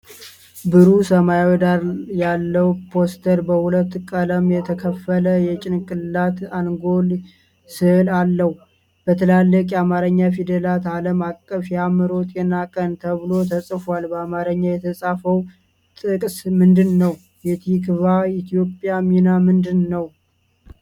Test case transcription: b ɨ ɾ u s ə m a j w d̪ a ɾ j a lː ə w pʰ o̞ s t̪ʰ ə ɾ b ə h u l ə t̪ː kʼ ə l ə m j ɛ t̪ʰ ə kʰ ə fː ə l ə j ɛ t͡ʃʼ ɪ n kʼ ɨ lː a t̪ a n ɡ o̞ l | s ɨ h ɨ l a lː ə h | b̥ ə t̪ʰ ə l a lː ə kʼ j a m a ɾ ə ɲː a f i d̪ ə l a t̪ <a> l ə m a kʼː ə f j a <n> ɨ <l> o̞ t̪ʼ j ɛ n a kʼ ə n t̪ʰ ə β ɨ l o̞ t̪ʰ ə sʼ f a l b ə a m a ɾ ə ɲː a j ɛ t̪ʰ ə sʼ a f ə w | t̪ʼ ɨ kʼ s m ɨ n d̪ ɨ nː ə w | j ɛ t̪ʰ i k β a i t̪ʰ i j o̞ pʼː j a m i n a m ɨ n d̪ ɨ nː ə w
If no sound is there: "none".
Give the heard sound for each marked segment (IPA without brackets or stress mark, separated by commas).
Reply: a, m, ɾ